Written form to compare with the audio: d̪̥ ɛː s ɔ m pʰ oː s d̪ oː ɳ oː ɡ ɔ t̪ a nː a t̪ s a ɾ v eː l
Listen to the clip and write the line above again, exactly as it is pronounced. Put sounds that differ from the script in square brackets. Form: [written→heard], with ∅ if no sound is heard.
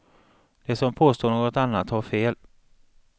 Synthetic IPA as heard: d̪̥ [ɛː→ɛ] s ɔ m pʰ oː s [d̪→t̪] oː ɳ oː ɡ ɔ t̪ a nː a t̪ [s→h] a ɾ [v→f] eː l